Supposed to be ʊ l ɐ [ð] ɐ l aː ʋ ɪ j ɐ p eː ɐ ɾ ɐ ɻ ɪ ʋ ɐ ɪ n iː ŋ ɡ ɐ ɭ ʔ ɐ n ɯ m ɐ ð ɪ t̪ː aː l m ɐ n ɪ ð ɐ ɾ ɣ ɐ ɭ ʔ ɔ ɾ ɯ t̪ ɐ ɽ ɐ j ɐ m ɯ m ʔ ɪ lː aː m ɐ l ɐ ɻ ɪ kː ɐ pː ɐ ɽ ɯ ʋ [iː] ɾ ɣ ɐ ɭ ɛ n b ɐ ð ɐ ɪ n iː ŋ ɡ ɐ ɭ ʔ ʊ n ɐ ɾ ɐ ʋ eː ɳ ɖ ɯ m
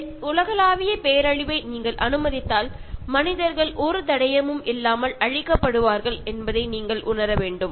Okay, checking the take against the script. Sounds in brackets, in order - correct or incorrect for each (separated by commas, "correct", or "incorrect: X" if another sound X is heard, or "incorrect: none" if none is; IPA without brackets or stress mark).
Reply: incorrect: ɣ, incorrect: aː